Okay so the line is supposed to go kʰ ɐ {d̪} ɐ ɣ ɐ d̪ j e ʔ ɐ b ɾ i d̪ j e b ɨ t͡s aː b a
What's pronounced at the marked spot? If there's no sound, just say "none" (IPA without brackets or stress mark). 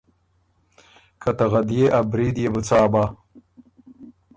t̪